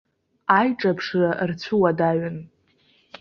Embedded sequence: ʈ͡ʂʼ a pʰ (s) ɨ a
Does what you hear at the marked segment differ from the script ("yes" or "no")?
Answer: yes